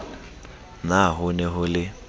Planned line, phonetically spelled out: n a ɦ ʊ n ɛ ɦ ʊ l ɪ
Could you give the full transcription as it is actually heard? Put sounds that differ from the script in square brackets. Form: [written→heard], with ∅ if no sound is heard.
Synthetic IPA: n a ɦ ʊ n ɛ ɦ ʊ l ɪ